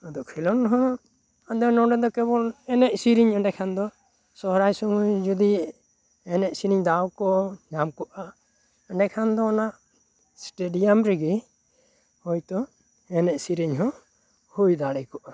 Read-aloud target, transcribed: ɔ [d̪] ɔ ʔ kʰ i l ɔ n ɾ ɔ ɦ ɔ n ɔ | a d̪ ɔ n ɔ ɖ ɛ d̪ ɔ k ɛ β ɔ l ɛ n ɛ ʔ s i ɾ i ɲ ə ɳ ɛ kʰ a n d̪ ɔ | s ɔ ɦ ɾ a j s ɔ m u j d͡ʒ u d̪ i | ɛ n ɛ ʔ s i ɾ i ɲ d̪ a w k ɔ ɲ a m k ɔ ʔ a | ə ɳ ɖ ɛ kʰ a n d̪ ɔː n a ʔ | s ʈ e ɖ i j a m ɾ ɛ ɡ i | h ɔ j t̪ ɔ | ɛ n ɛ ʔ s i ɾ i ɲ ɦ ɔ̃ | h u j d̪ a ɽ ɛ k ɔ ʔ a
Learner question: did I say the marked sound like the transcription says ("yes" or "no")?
yes